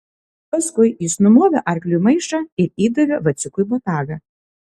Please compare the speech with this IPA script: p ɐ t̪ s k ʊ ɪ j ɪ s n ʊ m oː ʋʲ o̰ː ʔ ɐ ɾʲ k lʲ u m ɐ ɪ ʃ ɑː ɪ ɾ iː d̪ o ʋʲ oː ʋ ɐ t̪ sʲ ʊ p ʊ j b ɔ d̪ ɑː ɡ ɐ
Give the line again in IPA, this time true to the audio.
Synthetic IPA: p ɐ s k ʊ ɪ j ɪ s n ʊ m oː ʋʲ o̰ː ʔ ɐ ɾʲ k lʲ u m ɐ ɪ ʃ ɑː ɪ ɾ iː d̪ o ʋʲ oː ʋ ɐ t̪ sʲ ʊ k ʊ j b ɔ t̪ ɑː ɡ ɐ